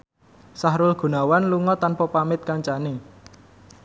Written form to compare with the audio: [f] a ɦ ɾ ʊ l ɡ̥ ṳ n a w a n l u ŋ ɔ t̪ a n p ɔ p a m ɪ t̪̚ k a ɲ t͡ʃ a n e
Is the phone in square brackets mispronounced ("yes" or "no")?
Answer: yes